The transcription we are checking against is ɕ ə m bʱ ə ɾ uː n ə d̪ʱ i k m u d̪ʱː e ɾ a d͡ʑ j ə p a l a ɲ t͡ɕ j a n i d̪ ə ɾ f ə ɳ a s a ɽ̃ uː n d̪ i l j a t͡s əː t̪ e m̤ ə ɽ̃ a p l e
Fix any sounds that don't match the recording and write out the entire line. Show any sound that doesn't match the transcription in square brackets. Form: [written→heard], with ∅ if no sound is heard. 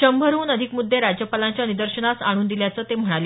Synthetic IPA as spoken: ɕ ə m bʱ ə ɾ uː n ə d̪ʱ i k m u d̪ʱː e ɾ a d͡ʑ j ə p a l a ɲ t͡ɕ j a n i d̪ ə ɾ [f→ɕ] ə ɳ a s a ɽ̃ uː n d̪ i l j a t͡s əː t̪ e m̤ ə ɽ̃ a [p→∅] l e